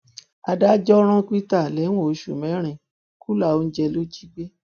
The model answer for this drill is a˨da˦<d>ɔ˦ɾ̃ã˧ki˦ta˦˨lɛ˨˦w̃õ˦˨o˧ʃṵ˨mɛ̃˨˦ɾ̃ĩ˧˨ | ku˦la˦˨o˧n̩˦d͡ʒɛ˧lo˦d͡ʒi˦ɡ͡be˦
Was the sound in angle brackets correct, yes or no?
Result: no